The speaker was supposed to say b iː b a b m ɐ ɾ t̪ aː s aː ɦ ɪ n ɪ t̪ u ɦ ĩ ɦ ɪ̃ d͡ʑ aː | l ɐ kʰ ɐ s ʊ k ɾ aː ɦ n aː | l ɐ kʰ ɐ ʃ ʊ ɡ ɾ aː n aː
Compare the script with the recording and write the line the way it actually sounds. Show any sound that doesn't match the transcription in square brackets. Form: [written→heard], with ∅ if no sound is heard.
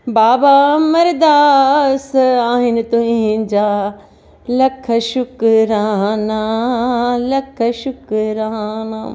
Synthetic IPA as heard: b [iː→aː] b a [b→∅] m ɐ ɾ [t̪→d̪] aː s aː ɦ ɪ n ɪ t̪ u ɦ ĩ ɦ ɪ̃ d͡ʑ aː | l ɐ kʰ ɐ [s→ʃ] ʊ k ɾ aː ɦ n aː | l ɐ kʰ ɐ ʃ ʊ [ɡ→k] ɾ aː n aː